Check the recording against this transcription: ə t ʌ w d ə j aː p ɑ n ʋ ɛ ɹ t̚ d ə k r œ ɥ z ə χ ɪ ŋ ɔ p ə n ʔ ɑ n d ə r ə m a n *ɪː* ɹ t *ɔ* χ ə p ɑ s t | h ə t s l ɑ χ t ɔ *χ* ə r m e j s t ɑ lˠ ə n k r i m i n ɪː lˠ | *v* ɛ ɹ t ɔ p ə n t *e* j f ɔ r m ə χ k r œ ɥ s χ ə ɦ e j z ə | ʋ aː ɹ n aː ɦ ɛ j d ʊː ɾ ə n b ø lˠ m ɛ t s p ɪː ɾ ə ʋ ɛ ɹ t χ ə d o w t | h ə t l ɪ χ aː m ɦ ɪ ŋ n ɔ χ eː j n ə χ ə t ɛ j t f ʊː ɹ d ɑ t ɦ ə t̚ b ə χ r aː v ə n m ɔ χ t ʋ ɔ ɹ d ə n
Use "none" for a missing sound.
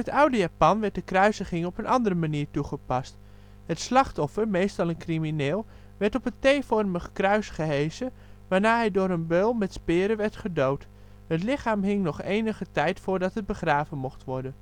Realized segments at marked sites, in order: iː, u, f, ʋ, e

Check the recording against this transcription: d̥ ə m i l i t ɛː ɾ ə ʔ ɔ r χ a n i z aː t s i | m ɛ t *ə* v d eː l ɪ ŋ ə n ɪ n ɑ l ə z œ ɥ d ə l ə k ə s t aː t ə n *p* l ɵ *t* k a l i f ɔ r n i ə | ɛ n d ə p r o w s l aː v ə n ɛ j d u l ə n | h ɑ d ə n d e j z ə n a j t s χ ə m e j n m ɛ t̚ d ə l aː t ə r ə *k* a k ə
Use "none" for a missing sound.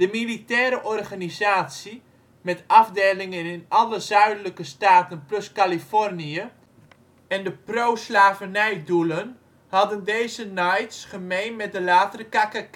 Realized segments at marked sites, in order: ɑ, p, s, k

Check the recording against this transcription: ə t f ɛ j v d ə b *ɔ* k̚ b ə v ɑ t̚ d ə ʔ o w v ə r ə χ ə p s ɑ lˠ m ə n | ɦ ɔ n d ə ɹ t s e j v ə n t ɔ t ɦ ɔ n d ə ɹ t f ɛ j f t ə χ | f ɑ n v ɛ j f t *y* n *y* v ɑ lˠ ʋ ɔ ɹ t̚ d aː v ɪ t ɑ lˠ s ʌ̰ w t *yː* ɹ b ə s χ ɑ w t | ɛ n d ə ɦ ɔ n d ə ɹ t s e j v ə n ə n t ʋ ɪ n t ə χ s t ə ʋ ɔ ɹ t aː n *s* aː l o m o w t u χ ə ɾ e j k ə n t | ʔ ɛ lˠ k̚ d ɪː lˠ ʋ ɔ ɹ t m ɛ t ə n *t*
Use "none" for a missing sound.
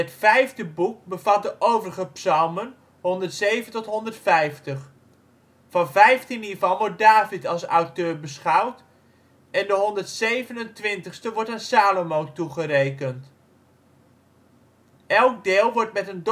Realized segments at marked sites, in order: u, i, i, øː, s, d

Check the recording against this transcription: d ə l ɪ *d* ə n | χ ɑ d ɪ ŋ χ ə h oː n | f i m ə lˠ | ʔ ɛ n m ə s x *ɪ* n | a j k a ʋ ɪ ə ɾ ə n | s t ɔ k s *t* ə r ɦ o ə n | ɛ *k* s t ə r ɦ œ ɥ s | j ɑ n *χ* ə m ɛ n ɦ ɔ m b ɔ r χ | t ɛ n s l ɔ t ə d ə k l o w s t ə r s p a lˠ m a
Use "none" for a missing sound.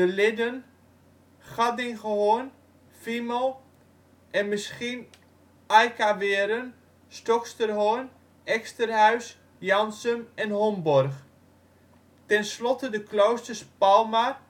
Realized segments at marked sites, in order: d, i, t, k, s

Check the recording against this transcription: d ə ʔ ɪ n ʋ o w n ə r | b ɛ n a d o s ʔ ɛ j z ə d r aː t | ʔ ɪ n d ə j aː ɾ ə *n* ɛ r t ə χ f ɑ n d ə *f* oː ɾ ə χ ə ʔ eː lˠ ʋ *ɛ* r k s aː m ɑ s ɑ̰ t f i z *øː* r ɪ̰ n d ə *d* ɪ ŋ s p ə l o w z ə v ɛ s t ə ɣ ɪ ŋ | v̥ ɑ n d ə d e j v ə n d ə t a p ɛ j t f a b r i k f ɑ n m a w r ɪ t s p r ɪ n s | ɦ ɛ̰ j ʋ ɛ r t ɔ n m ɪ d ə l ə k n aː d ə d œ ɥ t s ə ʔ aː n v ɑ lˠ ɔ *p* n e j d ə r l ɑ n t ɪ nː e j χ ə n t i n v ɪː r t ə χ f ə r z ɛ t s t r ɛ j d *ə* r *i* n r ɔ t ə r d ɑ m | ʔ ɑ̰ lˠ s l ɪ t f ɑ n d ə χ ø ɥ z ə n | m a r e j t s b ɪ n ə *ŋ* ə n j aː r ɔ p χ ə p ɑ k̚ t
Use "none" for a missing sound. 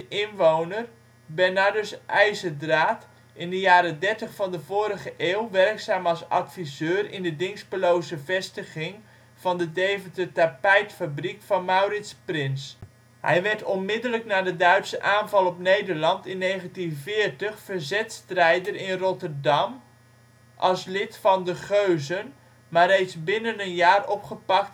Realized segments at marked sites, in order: d, v, ɛ, øː, d, p, ə, ɪ, n

